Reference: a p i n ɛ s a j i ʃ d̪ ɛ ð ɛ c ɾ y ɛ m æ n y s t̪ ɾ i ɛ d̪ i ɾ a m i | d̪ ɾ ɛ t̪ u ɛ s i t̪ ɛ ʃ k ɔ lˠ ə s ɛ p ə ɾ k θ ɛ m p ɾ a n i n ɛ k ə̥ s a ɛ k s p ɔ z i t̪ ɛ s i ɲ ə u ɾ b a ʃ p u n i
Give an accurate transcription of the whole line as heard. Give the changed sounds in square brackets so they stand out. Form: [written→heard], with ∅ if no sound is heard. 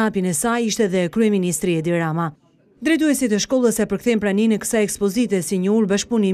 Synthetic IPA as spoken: a p i n ɛ s a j i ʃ [d̪→t̪] ɛ ð ɛ [c→k] ɾ y ɛ m [æ→i] n [y→i] s t̪ ɾ i ɛ d̪ i ɾ a m [i→a] | d̪ ɾ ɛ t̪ u ɛ s i t̪ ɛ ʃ k ɔ lˠ ə s ɛ p ə ɾ k θ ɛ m p ɾ a n i n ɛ k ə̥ s a ɛ k s p ɔ z i t̪ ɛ s i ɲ ə u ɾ b a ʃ p u n i